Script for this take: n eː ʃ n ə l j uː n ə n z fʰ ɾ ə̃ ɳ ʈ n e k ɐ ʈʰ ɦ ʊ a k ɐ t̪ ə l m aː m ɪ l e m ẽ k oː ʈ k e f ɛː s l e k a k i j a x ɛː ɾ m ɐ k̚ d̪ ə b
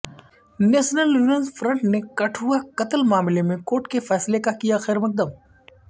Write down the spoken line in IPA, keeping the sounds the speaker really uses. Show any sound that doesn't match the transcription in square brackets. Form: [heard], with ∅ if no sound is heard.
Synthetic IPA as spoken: n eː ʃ n ə l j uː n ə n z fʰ ɾ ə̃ ɳ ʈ n e k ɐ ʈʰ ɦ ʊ a k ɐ t̪ ə l m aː m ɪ l e m ẽ k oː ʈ k e f ɛː s l e k a k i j a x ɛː ɾ m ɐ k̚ d̪ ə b